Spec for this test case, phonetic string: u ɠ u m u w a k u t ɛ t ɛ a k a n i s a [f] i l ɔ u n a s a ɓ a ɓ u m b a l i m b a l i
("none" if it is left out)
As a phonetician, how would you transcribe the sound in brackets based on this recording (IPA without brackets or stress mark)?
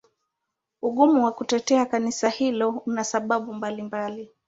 h